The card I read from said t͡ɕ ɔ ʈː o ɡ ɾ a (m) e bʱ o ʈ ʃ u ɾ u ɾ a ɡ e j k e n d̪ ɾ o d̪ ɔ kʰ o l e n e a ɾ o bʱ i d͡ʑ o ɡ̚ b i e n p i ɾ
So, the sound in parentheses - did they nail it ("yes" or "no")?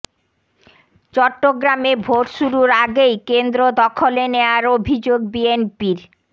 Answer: yes